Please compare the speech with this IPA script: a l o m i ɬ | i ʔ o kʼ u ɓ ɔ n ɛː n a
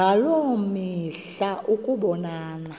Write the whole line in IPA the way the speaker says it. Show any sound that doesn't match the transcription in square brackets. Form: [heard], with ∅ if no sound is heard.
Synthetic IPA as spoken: a l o m i ɬ | [a] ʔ [u] kʼ u ɓ ɔ n [aː] n a